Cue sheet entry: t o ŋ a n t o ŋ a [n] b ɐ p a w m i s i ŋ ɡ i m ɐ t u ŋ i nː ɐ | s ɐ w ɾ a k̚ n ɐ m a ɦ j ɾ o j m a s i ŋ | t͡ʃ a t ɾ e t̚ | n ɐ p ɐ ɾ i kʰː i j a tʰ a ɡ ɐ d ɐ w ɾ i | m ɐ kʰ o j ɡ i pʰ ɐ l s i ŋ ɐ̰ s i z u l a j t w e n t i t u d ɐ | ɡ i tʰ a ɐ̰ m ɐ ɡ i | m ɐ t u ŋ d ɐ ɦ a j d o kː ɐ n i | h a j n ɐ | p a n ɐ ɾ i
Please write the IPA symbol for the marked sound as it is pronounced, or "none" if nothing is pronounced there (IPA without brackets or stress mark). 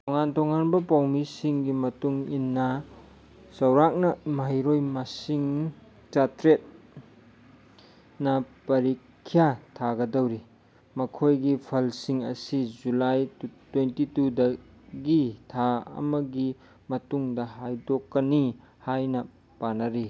n